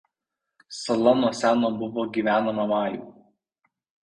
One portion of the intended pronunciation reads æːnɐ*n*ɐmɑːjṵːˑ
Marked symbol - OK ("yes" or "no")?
no